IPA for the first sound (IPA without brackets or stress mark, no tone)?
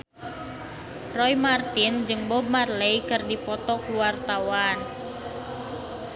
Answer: r